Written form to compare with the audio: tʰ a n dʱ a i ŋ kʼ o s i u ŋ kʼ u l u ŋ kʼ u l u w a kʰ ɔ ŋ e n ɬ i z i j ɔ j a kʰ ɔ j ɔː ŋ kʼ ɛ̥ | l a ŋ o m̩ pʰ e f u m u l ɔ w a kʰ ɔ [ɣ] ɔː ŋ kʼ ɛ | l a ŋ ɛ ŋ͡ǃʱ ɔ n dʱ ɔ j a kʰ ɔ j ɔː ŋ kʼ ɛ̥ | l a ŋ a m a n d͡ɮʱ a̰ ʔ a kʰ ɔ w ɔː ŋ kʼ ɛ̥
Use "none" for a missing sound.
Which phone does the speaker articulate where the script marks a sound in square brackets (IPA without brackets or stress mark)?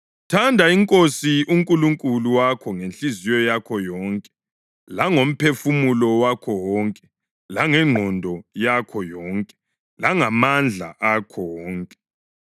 w